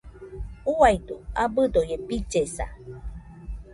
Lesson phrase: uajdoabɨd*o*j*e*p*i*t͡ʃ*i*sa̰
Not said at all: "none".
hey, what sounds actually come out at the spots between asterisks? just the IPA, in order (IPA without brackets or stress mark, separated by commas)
o, e, i, e